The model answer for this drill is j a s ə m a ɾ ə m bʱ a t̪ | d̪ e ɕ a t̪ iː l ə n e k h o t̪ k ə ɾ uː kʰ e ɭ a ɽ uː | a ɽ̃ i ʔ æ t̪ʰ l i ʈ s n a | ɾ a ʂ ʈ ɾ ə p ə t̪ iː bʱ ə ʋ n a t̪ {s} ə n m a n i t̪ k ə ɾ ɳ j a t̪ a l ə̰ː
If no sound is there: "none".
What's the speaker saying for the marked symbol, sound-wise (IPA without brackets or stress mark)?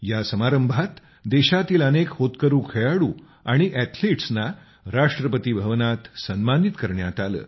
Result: s